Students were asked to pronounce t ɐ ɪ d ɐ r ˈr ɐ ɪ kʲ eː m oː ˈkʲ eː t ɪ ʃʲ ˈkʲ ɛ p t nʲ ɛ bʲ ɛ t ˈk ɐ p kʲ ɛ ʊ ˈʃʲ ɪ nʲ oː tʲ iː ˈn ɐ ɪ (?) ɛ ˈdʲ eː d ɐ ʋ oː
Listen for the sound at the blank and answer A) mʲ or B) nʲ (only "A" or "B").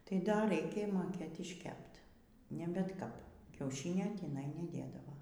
B